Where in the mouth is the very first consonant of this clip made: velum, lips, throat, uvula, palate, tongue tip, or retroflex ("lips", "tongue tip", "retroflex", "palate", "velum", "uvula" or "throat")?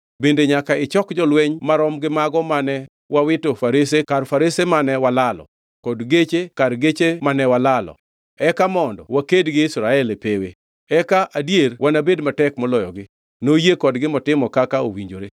lips